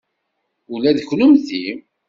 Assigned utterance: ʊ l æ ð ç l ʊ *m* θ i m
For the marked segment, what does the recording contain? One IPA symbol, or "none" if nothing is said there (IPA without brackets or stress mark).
m